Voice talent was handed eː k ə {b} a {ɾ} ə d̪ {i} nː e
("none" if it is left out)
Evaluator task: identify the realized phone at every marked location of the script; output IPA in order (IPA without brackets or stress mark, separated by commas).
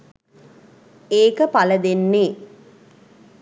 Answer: p, l, e